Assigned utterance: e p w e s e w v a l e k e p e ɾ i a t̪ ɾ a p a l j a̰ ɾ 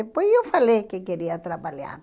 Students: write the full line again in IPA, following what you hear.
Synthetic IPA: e p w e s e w f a l e k e k e ɾ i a t̪ ɾ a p a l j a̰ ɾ